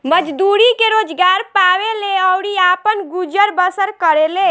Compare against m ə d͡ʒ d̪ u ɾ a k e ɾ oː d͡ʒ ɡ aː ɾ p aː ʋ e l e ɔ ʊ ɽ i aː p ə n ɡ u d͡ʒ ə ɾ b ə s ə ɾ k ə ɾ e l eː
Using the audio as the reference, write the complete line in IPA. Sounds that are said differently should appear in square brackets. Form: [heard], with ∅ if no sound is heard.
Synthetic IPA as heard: m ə d͡ʒ d̪ u ɾ [i] k e ɾ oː d͡ʒ ɡ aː ɾ p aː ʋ e l e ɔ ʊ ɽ i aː p ə n ɡ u d͡ʒ ə ɾ b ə s ə ɾ k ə ɾ e l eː